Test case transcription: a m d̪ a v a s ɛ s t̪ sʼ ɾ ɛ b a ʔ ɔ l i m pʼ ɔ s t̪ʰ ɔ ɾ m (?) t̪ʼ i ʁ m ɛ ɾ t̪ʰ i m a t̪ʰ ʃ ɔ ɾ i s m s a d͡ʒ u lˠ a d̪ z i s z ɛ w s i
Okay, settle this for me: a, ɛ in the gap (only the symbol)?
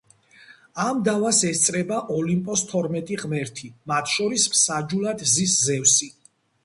ɛ